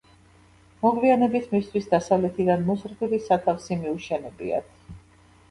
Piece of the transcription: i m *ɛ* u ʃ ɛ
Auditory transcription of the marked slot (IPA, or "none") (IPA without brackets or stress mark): i